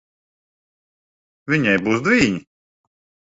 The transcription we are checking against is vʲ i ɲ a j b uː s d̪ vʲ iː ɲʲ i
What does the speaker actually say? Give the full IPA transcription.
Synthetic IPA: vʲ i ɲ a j b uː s d̪ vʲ iː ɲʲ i